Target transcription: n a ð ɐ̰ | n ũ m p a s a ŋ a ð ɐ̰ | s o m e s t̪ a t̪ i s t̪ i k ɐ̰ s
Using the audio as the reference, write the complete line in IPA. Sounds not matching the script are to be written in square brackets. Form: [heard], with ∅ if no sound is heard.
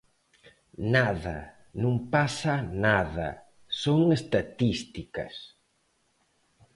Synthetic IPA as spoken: n a ð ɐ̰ | n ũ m p a s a [n] a ð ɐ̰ | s o [ŋ] e s t̪ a t̪ i s t̪ i k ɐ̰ s